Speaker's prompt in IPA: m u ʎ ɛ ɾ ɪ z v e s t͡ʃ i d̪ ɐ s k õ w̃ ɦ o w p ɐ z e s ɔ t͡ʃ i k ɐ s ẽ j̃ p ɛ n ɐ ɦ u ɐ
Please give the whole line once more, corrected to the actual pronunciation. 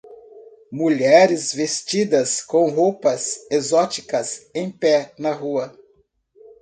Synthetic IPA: m u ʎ ɛ ɾ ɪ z v e s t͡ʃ i d̪ ɐ s k õ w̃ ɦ o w p ɐ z e z ɔ t͡ʃ i k ɐ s ẽ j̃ p ɛ n ɐ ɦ u ɐ

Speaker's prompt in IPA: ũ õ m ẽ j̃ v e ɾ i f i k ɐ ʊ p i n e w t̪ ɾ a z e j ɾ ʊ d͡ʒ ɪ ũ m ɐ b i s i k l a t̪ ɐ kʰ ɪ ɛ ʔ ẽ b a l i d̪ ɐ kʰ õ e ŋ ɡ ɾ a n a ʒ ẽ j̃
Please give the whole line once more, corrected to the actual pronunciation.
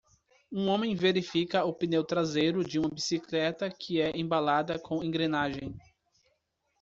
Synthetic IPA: ũ õ m ẽ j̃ v e ɾ i f i k ɐ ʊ p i n e w t̪ ɾ a z e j ɾ ʊ d͡ʒ ɪ ũ m ɐ b i s i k l ɛ t̪ ɐ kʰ ɪ ɛ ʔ ẽ b a l a d̪ ɐ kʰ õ ẽ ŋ ɡ ɾ e n a ʒ ẽ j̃

